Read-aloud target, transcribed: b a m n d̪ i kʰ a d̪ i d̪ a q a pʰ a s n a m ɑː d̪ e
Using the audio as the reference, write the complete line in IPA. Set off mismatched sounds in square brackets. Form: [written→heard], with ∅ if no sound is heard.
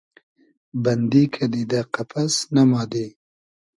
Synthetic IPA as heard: b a [m→∅] n d̪ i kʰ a d̪ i d̪ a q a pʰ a s n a m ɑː d̪ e